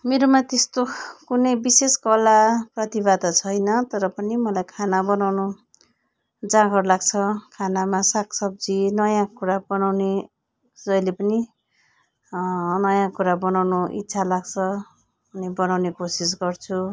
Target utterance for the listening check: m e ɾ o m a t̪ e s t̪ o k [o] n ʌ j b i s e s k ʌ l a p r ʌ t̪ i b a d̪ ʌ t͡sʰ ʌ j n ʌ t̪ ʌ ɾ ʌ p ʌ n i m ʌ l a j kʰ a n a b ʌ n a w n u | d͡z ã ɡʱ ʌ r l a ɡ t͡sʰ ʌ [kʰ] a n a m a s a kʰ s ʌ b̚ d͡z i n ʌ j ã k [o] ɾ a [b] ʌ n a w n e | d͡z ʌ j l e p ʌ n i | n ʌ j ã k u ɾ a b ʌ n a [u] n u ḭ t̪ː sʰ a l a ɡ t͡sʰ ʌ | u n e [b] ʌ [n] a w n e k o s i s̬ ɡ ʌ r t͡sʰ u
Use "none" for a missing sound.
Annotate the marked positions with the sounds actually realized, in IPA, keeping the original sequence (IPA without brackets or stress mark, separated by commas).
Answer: u, kʰ, u, b, w, b, n